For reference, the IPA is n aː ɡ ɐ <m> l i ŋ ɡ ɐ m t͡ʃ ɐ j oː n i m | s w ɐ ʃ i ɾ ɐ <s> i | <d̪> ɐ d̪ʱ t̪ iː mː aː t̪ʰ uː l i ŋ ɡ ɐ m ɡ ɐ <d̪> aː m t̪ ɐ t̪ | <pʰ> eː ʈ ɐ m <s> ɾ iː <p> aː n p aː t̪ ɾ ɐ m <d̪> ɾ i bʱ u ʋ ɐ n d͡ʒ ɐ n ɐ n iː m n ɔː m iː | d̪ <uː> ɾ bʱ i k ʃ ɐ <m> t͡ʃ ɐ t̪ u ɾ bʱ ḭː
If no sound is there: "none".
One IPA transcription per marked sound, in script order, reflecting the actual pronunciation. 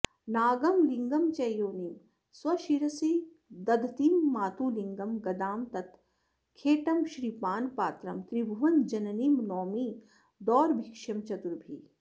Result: m, s, d̪, d̪, kʰ, ʃ, p, t̪, ɔː, m

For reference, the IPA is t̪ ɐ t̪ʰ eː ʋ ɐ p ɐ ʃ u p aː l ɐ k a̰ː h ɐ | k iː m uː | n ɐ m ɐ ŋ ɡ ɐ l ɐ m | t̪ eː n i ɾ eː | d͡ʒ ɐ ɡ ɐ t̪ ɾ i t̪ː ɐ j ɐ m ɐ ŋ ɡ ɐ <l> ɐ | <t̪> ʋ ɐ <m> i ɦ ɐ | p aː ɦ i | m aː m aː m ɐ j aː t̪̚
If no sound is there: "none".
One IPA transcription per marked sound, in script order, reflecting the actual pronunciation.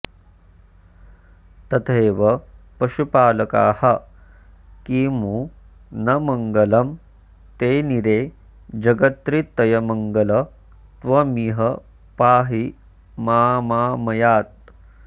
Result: l, t̪, m

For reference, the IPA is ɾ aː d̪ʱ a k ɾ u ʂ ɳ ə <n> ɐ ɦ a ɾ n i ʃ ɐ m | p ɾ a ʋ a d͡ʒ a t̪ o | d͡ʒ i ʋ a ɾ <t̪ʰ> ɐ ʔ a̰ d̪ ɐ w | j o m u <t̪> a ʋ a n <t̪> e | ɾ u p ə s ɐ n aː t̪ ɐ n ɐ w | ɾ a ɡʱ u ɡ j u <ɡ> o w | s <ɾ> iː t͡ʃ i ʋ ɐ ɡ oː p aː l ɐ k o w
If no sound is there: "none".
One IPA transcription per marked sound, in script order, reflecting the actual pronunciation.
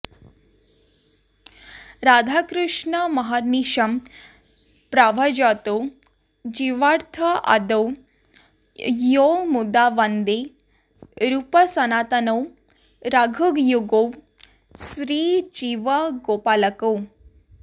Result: m, t̪ʰ, d̪, d̪, ɡ, ɾ

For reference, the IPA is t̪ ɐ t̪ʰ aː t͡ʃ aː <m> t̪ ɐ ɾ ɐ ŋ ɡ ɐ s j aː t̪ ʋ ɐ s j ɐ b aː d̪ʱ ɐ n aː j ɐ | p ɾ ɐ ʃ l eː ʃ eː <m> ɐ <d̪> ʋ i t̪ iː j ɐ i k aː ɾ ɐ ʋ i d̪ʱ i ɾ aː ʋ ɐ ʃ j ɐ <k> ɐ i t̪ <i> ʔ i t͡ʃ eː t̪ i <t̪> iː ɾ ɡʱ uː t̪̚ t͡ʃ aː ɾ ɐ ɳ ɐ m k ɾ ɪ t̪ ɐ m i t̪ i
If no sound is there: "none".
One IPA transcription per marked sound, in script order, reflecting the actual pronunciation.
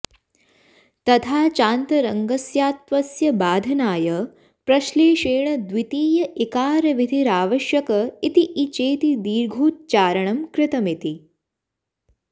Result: n, ɳ, d̪, k, i, d̪

